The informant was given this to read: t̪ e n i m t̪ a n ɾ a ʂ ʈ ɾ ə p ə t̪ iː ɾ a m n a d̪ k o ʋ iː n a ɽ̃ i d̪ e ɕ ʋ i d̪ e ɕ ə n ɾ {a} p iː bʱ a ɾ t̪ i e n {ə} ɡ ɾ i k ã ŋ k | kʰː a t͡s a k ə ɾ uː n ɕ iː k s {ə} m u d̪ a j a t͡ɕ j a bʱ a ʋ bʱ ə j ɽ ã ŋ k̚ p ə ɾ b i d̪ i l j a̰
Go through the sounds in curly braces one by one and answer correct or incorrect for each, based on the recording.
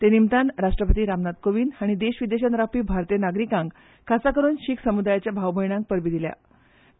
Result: correct, incorrect: a, correct

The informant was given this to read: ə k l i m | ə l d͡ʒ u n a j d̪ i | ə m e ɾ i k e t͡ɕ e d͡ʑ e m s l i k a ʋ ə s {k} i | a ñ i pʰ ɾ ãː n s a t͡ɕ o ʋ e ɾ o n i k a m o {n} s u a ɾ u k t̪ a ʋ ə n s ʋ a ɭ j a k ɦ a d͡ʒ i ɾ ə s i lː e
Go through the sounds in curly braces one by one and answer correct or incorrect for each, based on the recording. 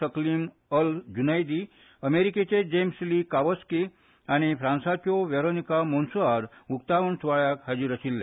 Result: correct, correct

